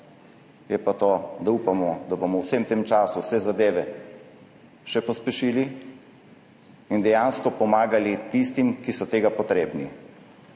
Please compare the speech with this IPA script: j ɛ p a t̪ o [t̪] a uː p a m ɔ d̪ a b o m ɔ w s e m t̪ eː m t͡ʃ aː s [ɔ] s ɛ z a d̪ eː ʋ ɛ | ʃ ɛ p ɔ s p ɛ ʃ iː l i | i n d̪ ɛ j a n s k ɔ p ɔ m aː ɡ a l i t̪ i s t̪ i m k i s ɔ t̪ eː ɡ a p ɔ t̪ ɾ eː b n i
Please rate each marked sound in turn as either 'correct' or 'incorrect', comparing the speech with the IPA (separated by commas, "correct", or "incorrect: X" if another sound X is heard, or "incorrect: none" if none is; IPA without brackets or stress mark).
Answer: incorrect: d̪, incorrect: u